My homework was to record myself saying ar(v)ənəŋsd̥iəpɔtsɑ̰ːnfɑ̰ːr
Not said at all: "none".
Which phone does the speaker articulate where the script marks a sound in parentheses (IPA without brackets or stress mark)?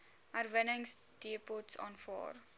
v